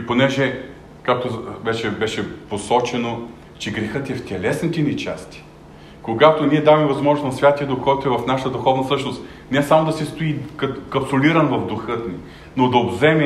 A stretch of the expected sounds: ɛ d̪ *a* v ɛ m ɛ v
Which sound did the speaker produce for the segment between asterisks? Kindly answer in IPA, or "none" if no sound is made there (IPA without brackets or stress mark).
a